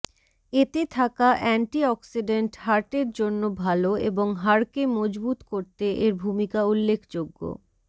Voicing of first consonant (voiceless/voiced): voiceless